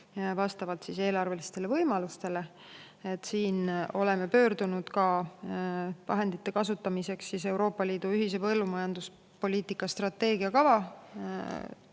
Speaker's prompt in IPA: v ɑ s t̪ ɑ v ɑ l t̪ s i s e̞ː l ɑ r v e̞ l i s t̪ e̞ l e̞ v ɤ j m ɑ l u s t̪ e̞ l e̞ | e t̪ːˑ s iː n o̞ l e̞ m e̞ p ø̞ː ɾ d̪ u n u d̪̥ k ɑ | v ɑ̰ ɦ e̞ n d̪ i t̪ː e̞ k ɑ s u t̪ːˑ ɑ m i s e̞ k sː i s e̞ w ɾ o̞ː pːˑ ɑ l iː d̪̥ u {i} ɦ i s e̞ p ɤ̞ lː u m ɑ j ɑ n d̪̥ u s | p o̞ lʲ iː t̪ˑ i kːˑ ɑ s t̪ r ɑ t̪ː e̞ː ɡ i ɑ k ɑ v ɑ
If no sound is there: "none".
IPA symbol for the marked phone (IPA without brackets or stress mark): y